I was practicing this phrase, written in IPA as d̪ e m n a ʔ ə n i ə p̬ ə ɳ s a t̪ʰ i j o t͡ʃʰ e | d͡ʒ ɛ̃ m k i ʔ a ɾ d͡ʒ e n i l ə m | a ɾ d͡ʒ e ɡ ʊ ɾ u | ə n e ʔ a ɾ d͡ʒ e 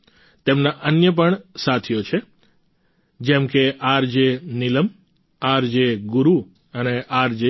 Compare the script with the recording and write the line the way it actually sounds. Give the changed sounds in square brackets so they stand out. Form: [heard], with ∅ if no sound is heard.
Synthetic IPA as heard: [t̪] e m n a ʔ ə n [j] ə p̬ ə ɳ s a t̪ʰ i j o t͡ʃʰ e | d͡ʒ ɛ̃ m k [e] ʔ a ɾ d͡ʒ e n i l ə m | a ɾ d͡ʒ e ɡ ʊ ɾ u | ə n e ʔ a ɾ d͡ʒ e